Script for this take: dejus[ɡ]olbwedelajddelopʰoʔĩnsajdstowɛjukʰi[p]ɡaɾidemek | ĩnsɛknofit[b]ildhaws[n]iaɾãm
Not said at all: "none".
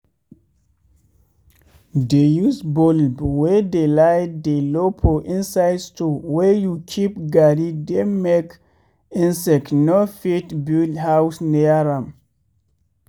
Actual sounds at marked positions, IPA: b, p, b, n

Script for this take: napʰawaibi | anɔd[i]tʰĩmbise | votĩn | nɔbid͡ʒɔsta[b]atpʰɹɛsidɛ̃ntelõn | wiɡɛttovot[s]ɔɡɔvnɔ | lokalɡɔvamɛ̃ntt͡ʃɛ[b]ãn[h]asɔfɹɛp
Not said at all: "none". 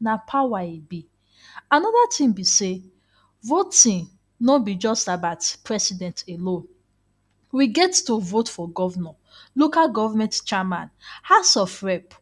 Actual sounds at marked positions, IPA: a, b, f, m, h

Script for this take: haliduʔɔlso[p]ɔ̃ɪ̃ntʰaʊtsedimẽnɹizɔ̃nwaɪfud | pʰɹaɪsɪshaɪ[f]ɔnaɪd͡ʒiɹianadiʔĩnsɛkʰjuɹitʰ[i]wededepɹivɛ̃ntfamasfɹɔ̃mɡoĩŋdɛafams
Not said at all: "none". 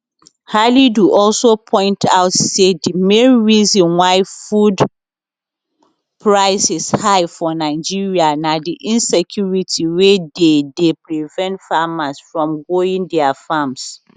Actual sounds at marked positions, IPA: pʰ, f, i

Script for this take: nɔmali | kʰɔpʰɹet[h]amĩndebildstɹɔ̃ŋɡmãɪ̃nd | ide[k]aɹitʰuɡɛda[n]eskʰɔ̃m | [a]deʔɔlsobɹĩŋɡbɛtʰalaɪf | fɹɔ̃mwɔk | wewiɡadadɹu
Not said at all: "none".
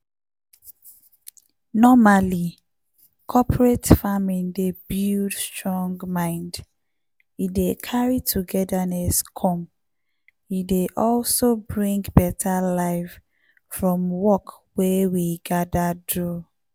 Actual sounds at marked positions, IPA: f, kʰ, n, i

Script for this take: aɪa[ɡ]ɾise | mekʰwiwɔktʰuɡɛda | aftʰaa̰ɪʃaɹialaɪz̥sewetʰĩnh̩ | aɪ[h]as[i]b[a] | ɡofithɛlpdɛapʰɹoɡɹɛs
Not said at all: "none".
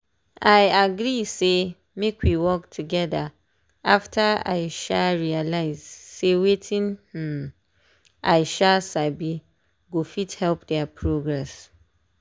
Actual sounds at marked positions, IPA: ɡ, ʃ, a, i

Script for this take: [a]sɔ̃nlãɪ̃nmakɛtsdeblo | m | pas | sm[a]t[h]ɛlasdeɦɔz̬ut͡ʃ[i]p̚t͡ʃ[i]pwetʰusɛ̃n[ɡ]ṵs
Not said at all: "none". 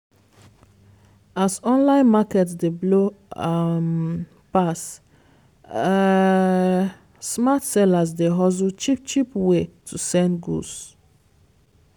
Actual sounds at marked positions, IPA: a, a, s, i, i, ɡ

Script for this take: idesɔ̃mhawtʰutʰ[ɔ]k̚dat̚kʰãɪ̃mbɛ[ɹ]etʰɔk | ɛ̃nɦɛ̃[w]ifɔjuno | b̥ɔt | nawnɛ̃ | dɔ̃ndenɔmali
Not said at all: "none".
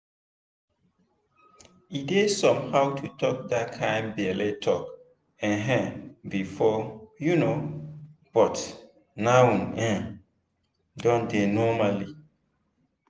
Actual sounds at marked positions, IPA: ɔ, l, b

